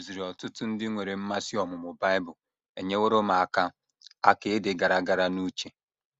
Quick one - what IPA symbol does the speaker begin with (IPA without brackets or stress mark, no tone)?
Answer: z